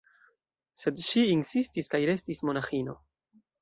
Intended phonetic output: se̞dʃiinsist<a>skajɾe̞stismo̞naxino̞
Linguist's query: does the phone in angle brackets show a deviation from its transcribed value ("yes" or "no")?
yes